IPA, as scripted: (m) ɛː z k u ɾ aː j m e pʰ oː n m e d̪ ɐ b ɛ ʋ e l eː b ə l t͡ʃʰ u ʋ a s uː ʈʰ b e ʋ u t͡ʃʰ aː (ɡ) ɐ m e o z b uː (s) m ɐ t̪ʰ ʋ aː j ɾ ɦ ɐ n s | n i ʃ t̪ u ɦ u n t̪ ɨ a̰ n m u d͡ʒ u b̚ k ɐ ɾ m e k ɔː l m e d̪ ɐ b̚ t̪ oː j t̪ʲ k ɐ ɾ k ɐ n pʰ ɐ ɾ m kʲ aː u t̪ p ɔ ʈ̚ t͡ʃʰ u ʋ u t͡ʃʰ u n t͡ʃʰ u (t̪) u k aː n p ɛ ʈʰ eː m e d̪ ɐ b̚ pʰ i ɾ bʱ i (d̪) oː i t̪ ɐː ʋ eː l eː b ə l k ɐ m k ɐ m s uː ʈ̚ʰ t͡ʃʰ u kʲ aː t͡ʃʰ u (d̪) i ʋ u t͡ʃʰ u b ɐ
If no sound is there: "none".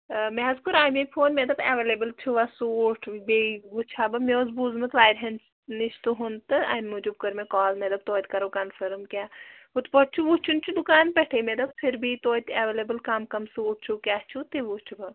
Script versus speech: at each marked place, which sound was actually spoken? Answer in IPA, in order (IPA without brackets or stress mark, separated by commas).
m, b, z, d̪, t̪, t̪